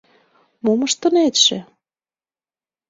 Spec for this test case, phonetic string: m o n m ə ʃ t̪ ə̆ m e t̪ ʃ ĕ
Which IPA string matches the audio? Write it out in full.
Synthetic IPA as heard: m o m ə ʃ t̪ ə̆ n e t̪ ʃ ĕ